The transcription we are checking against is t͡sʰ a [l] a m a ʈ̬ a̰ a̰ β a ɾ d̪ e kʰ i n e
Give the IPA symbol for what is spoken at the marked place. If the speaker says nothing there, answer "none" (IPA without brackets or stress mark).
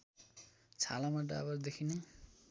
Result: l